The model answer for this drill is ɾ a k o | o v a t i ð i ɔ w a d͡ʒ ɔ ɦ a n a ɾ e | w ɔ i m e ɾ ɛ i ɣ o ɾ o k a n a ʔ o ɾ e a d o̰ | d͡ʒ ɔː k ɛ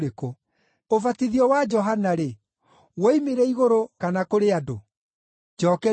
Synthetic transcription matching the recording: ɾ e k o | o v a t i ð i ɔ w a d͡ʒ ɔ ɦ a n a ɾ e | w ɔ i m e ɾ ɛ i ɣ o ɾ o k a n a k o ɾ e a d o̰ | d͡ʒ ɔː k ɛ